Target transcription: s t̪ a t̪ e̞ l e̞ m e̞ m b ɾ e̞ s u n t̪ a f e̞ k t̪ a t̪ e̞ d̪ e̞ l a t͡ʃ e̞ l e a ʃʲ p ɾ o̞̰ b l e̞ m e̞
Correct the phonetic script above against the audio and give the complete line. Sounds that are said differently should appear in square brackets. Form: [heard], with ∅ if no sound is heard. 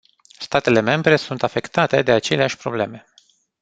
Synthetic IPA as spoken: s t̪ a t̪ e̞ l e̞ m e̞ m b ɾ e̞ s u n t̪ a f e̞ k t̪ a t̪ e̞ d̪ e̞ [∅] a t͡ʃ e̞ l e a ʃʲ p ɾ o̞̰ b l e̞ m e̞